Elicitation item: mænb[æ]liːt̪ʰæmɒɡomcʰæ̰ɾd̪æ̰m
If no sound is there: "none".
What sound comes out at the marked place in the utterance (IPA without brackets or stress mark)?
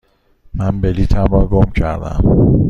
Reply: e